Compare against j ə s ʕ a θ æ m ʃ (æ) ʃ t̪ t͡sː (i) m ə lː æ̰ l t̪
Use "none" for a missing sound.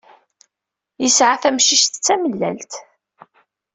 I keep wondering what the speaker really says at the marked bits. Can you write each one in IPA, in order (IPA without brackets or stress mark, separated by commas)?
i, æ